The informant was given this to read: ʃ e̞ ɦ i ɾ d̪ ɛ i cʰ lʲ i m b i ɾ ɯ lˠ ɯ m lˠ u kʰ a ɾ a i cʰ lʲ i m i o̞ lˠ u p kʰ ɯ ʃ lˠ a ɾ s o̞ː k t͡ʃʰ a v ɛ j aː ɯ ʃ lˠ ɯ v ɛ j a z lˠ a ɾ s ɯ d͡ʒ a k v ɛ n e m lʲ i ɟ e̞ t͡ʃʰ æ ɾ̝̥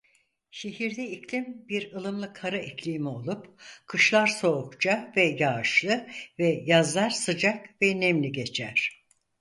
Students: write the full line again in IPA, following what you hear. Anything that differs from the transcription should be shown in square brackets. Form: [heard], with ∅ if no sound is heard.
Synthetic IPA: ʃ e̞ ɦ i ɾ d̪ ɛ i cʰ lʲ i m b i ɾ ɯ lˠ ɯ m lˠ [ɯ] kʰ a ɾ a i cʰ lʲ i m i o̞ lˠ u p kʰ ɯ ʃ lˠ a ɾ s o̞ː k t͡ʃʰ a v ɛ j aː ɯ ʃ lˠ ɯ v ɛ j a z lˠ a ɾ s ɯ d͡ʒ a k v ɛ n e m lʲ i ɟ e̞ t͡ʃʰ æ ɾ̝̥